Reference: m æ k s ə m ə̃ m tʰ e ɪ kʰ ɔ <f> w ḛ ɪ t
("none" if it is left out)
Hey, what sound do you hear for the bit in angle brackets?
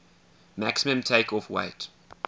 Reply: f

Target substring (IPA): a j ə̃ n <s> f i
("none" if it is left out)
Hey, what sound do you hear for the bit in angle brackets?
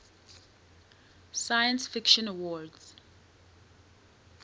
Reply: s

